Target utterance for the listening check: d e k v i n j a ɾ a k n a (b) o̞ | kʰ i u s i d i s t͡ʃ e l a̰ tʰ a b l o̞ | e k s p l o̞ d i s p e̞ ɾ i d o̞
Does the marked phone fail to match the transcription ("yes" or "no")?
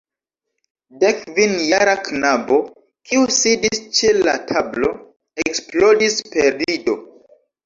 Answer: no